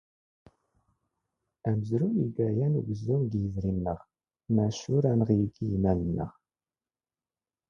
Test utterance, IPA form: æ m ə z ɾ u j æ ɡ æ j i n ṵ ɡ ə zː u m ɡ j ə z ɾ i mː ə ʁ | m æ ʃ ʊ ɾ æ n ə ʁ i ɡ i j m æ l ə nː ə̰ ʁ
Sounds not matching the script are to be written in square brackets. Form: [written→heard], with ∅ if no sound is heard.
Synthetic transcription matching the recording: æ m ə z ɾ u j [æ→i] ɡ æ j [i→æ] n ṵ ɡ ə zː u m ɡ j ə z ɾ i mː ə ʁ | m æ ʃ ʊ ɾ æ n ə ʁ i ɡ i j m æ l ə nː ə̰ ʁ

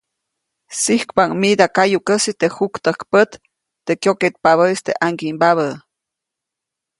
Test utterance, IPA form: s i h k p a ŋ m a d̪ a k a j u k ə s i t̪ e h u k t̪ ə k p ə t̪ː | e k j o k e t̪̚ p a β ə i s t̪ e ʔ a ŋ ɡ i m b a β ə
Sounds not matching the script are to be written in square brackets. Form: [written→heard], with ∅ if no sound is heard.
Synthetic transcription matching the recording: s i h k p a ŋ m [a→i] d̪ a k a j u k ə s i t̪ e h u k t̪ ə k p ə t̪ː | e k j o k e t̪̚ p a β ə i s t̪ e ʔ a ŋ ɡ i m b a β ə

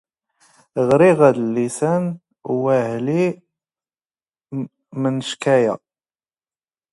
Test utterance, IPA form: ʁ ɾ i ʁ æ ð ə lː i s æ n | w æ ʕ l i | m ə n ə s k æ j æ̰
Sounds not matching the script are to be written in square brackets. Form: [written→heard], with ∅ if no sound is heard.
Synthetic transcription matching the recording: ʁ ɾ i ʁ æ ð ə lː i s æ n | w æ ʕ l i | m ə n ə [s→ʃ] k æ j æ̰

